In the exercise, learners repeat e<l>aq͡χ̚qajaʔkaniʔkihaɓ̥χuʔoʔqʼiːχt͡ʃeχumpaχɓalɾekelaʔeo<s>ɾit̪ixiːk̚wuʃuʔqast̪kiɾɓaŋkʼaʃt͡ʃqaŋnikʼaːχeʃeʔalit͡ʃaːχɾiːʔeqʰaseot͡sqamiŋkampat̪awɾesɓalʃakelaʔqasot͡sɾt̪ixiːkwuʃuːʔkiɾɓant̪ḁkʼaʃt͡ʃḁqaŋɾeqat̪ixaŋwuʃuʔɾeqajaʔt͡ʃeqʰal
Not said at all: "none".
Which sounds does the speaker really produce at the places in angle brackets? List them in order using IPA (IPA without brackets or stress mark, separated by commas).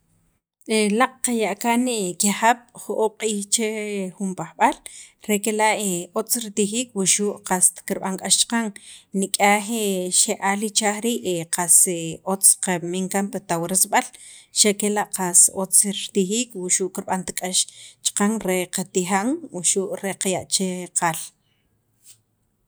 l, t͡s